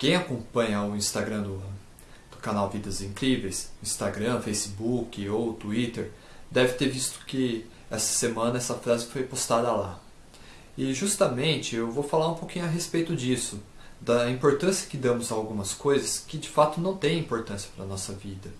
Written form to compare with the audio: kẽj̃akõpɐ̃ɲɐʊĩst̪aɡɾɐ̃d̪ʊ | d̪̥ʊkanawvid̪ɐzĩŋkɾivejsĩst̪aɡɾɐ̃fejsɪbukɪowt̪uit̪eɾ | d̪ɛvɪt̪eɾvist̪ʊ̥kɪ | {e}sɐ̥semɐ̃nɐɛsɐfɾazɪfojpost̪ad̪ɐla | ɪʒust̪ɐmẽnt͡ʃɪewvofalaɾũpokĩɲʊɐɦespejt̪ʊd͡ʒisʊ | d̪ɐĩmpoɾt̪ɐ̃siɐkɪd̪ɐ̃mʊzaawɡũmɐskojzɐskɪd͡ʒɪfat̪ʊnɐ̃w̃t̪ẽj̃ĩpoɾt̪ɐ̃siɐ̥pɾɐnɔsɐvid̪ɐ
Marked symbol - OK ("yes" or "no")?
no